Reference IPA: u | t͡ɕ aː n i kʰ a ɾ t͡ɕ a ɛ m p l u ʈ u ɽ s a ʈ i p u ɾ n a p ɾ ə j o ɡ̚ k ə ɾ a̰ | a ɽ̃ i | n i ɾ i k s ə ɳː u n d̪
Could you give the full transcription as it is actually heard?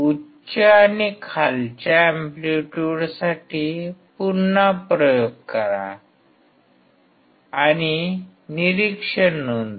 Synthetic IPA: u | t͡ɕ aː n i kʰ a l t͡ɕ a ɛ m p l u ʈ u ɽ s a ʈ i p u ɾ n a p ɾ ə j o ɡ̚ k ə ɾ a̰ | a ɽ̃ i | n i ɾ i k ʂ ə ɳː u n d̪

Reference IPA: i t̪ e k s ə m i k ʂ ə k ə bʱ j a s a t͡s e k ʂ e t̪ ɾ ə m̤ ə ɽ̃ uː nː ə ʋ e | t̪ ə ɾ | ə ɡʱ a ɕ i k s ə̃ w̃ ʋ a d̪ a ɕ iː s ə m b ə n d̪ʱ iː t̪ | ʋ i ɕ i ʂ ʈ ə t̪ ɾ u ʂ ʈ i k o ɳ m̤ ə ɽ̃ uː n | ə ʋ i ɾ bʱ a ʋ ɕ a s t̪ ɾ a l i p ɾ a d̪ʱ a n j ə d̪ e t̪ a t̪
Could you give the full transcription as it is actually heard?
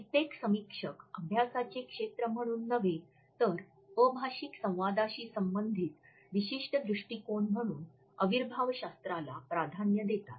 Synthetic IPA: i t̪ e k s ə m i k ʂ ə k ə bʱ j a s a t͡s e k ʂ e t̪ ɾ ə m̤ ə ɽ̃ uː nː ə ʋ e | t̪ ə ɾ | ə bʱ a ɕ i k s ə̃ w̃ ʋ a d̪ a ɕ iː s ə m b ə n d̪ʱ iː t̪ | ʋ i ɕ i ʂ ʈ ə d̪ ɾ u ʂ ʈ i k o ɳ m̤ ə ɽ̃ uː n | ə ʋ i ɾ bʱ a ʋ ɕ a s t̪ ɾ a l a p ɾ a d̪ʱ a n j ə d̪ e t̪ a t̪

